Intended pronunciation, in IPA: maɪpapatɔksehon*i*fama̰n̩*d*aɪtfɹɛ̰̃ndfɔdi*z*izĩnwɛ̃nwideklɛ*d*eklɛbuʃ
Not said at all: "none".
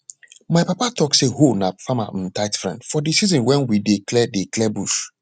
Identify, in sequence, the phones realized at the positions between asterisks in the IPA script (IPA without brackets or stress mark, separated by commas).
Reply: a, t, s, d